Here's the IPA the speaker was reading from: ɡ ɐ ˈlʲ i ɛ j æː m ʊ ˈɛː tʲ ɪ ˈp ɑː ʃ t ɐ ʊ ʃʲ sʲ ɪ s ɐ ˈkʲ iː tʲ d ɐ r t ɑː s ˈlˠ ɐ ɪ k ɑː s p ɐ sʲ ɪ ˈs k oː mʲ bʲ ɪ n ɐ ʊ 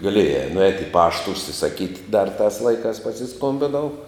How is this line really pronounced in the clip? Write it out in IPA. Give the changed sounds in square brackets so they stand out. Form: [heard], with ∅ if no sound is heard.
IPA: ɡ ɐ ˈlʲ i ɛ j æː [n] ʊ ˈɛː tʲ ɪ ˈp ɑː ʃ t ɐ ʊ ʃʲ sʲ ɪ s ɐ ˈkʲ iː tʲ d ɐ r t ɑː s ˈlˠ ɐ ɪ k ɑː s p ɐ sʲ ɪ ˈs k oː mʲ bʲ ɪ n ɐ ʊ